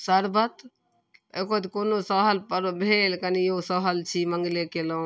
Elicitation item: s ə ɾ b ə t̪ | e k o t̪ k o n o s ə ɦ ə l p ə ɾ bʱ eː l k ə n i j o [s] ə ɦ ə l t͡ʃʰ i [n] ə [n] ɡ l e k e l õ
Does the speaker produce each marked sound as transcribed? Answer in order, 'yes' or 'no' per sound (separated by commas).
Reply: yes, no, no